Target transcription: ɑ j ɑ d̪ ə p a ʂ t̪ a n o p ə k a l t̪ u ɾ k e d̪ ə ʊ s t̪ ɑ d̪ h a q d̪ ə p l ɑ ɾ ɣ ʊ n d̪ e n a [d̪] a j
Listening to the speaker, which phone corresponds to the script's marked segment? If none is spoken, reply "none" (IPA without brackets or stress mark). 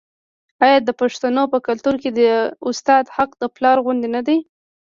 d̪